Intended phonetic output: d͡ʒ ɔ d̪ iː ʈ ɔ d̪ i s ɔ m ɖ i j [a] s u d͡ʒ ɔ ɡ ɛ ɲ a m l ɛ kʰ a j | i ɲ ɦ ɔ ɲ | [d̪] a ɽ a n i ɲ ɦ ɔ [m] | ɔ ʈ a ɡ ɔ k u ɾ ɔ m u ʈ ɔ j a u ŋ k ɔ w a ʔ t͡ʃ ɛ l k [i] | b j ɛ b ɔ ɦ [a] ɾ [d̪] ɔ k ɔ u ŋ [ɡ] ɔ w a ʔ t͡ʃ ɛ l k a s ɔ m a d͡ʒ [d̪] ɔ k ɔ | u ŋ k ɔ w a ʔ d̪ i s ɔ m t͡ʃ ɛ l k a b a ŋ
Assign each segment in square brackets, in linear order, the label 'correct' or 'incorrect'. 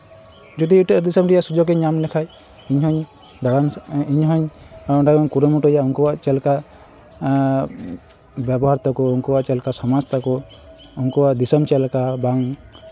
correct, correct, incorrect: ɲ, incorrect: a, correct, incorrect: t̪, incorrect: k, incorrect: t̪

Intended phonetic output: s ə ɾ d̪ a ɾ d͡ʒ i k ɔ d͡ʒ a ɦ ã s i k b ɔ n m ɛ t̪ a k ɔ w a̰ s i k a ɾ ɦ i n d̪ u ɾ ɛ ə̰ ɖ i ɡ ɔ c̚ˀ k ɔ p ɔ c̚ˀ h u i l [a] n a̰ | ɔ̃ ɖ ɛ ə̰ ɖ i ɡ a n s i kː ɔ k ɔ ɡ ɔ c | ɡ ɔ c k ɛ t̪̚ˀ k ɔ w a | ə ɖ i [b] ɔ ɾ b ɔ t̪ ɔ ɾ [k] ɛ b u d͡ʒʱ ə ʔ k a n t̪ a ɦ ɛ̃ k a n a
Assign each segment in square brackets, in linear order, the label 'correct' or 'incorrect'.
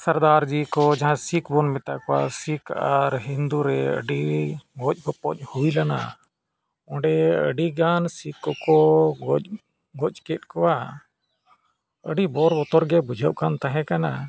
correct, correct, incorrect: ɡ

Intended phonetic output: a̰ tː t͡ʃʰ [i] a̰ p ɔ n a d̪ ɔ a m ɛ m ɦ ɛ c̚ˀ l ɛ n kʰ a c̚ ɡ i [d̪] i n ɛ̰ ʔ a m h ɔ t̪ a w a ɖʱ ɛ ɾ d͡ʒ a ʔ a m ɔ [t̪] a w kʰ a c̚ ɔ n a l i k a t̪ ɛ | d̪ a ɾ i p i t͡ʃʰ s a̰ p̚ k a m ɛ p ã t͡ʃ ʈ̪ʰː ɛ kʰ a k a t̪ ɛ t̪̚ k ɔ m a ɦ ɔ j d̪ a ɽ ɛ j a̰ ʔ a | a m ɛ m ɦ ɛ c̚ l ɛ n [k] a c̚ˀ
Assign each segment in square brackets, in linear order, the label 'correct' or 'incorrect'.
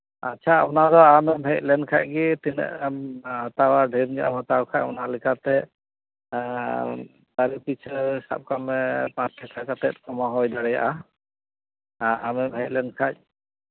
incorrect: a, incorrect: t̪, correct, incorrect: kʰ

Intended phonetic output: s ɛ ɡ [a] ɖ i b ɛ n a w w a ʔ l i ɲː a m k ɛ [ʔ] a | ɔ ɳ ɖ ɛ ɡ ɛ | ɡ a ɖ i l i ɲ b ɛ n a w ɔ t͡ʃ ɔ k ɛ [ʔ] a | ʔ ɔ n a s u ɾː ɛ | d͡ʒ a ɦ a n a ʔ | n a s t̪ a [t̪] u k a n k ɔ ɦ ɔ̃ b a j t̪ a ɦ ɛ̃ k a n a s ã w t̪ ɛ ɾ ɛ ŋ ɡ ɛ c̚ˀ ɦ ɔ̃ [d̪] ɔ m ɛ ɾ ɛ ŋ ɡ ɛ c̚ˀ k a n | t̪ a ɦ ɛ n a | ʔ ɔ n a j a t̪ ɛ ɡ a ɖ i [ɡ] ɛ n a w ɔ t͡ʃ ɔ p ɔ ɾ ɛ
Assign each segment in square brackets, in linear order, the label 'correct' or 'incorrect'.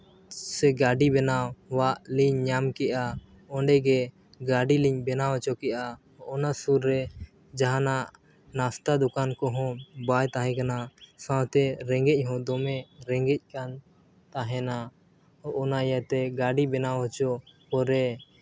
correct, correct, correct, incorrect: d̪, correct, incorrect: b

